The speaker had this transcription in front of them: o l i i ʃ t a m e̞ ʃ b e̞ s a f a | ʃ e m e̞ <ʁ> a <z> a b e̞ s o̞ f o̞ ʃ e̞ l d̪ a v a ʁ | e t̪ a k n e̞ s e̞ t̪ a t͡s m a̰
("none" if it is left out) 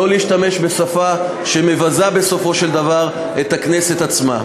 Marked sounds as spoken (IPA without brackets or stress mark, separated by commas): v, z